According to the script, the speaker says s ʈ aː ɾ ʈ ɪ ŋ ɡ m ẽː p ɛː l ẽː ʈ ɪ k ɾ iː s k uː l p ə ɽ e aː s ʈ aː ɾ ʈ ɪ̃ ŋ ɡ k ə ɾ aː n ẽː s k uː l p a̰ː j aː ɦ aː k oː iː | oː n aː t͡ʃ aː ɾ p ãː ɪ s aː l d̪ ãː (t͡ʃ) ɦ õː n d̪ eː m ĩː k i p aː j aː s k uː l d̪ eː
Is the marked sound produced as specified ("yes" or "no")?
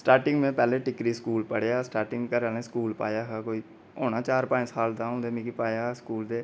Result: no